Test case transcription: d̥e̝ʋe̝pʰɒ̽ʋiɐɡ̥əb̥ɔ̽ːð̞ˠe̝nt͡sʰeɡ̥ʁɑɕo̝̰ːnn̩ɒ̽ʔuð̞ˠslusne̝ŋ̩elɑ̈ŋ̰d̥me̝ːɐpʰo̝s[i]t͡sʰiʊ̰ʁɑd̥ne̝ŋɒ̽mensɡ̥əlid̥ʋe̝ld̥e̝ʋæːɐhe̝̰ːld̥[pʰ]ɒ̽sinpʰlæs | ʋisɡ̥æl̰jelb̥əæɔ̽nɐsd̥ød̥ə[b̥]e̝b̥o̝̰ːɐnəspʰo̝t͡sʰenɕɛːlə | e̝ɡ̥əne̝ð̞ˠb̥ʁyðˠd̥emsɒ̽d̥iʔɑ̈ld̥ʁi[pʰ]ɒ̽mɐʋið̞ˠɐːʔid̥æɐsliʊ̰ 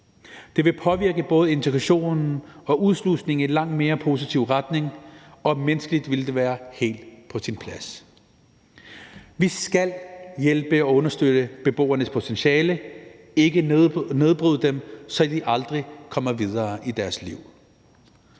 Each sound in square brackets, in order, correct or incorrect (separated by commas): correct, correct, correct, incorrect